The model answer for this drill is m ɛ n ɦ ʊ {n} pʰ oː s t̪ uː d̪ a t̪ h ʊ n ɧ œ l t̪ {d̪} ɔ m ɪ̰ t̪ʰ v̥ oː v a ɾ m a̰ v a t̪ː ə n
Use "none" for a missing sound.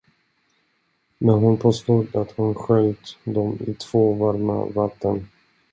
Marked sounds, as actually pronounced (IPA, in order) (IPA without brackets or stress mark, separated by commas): n, d̪